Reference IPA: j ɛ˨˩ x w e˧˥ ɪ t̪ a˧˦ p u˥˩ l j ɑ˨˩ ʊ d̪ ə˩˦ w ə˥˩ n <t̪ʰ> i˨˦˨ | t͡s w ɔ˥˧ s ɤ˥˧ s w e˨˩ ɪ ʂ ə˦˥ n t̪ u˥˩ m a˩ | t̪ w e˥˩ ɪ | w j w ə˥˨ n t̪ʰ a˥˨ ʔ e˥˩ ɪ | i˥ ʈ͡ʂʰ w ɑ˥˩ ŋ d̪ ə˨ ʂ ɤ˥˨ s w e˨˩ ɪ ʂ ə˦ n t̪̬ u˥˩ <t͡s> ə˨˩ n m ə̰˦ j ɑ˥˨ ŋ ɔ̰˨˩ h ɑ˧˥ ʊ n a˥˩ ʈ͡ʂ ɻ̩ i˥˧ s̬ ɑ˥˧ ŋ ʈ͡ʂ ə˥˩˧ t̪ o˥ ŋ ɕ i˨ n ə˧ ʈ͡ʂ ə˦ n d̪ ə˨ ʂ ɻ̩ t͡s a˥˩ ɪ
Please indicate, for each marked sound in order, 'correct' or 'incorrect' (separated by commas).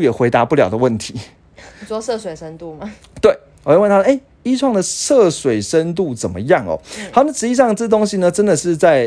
correct, correct